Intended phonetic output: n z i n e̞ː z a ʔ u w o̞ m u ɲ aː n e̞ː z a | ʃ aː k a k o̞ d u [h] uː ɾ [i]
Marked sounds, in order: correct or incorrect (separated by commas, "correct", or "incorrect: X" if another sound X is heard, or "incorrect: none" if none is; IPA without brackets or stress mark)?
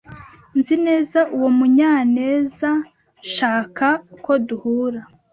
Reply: correct, incorrect: a